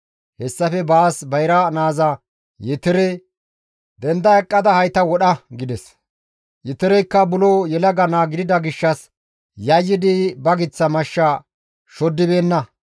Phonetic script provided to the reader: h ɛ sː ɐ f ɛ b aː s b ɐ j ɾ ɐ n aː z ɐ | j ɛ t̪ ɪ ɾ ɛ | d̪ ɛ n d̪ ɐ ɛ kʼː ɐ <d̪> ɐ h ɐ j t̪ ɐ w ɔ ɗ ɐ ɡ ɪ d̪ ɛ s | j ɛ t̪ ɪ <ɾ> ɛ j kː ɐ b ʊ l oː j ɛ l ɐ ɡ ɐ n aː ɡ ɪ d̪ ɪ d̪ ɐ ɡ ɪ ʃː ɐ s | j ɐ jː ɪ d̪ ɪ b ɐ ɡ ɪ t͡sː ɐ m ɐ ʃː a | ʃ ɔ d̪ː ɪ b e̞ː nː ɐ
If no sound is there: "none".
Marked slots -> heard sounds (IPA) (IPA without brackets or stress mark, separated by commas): d̪, ɾ